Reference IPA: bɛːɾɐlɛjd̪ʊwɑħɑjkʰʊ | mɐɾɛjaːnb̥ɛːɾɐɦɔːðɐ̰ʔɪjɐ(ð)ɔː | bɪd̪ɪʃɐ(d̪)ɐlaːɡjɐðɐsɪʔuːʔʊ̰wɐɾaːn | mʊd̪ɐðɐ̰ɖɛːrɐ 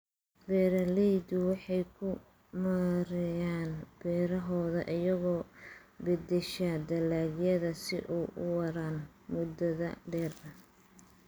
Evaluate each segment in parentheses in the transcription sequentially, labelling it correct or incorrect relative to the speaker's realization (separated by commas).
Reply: incorrect, correct